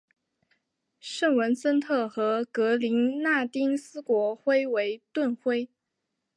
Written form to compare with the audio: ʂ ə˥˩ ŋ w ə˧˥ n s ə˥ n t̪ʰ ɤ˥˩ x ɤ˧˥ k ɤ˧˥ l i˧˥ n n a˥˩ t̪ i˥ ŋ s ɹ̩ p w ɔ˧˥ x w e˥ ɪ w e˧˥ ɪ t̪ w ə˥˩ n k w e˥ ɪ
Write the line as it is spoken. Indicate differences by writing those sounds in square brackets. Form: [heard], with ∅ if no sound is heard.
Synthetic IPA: ʂ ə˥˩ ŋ w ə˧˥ n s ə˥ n t̪ʰ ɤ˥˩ x ɤ˧˥ k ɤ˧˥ l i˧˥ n n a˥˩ t̪ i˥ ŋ s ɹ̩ [k] w ɔ˧˥ x w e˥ ɪ w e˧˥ ɪ t̪ w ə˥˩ n [x] w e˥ ɪ

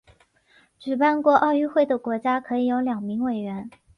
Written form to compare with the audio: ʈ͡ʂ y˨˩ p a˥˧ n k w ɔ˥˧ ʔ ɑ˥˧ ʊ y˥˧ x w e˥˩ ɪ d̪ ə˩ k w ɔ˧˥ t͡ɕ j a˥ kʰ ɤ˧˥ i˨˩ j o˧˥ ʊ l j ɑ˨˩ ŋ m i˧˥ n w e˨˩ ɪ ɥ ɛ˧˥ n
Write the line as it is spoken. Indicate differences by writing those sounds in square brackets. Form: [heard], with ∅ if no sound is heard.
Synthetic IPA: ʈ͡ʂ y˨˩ p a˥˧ n k w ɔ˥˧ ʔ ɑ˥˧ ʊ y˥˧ x w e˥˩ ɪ d̪ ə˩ k w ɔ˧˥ t͡ɕ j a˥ kʰ ɤ˧˥ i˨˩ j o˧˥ ʊ l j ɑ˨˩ ŋ m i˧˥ [ŋ] w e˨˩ ɪ ɥ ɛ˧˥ n

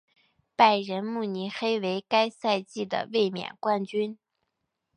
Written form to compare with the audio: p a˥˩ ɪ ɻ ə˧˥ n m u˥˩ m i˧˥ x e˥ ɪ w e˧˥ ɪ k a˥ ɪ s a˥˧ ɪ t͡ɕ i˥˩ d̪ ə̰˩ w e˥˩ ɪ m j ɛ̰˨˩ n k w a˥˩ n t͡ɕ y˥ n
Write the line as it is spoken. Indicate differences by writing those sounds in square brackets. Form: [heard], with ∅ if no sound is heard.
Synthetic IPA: p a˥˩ ɪ ɻ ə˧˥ n m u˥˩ [n] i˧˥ x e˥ ɪ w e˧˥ ɪ k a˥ ɪ s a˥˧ ɪ t͡ɕ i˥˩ d̪ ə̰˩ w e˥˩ ɪ m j ɛ̰˨˩ n k w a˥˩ n t͡ɕ y˥ n

